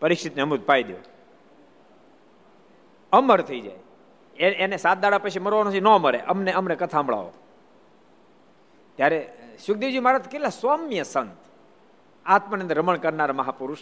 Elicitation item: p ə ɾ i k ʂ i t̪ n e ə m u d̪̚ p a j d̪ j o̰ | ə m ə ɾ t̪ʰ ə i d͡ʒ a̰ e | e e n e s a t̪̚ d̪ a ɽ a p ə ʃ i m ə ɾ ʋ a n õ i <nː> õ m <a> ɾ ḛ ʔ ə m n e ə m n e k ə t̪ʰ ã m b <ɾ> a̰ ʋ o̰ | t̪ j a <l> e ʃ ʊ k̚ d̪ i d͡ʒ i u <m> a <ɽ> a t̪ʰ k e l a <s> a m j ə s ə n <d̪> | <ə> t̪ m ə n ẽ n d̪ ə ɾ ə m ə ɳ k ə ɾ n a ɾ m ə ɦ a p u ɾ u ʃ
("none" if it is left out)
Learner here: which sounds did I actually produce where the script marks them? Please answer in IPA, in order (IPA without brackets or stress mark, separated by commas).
n, ə, ɭ, ɾ, m, ɾ, s, t̪, a